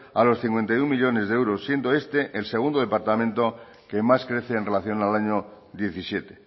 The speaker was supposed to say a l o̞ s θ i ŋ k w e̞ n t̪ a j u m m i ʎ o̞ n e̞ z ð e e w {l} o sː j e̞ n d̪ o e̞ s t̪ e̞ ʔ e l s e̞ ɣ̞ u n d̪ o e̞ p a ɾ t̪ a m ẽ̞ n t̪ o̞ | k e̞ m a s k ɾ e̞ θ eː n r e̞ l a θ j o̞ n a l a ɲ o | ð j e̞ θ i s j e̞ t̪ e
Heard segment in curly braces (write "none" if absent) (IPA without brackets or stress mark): ɾ